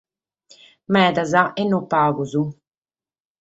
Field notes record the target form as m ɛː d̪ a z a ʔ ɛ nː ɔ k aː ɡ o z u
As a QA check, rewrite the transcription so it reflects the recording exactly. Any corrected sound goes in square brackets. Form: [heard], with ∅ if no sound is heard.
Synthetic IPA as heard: m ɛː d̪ a z a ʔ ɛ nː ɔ [p] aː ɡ [u] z u